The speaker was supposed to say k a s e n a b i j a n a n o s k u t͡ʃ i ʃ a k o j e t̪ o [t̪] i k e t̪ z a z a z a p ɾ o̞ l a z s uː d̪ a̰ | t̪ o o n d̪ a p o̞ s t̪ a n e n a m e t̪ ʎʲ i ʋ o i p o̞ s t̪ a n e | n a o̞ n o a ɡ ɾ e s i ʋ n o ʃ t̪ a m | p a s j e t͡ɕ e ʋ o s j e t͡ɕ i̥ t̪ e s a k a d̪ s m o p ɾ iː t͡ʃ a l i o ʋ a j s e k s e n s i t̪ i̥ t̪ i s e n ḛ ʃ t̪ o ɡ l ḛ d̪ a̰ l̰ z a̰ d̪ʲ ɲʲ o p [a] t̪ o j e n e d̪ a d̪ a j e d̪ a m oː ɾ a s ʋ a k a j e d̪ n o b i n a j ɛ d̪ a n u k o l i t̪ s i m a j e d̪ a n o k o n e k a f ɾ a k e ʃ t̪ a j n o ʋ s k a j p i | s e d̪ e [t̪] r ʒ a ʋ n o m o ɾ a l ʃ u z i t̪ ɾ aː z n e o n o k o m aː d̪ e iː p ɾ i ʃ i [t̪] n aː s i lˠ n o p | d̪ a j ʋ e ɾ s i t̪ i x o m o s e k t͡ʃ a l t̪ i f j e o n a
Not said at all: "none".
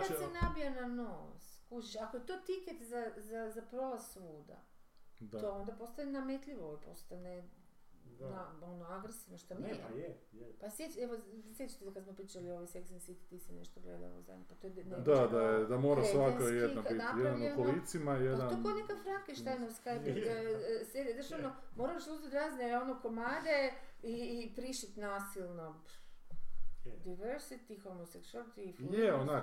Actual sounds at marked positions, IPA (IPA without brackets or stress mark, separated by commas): t̪, a, d̪, t̪